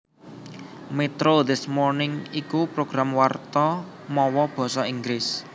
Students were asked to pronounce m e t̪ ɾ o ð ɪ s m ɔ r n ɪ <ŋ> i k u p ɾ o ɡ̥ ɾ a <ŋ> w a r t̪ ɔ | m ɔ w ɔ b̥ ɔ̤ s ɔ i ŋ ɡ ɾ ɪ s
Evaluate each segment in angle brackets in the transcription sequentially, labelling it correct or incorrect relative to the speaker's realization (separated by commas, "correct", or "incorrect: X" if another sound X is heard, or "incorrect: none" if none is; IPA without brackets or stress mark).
correct, incorrect: m